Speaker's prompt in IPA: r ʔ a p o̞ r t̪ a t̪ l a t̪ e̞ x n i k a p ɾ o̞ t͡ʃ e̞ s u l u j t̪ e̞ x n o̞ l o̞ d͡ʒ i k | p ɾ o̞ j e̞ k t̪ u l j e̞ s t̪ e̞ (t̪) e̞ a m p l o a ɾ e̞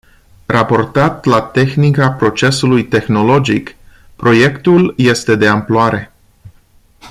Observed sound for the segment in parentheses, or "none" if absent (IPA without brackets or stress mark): d̪